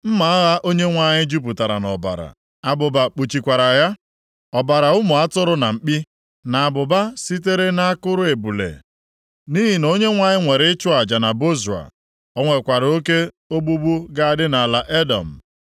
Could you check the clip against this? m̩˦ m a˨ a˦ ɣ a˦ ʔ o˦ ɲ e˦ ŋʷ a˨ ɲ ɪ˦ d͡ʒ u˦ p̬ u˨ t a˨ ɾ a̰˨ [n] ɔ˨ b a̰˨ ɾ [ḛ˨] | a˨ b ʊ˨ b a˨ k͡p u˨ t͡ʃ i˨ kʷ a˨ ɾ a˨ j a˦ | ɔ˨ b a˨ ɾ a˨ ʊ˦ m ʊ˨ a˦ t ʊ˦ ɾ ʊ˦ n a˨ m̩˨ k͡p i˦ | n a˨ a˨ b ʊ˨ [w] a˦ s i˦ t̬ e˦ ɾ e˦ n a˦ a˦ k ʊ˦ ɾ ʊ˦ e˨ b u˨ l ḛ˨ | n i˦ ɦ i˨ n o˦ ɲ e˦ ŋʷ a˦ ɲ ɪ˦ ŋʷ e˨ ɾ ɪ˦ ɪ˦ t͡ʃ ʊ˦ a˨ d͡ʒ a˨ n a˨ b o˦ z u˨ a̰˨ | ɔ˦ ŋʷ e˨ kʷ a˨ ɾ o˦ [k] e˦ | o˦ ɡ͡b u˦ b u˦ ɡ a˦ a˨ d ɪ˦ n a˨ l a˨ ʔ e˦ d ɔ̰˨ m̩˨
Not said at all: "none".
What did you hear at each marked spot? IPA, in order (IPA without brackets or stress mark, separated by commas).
n, a̰˨, b, k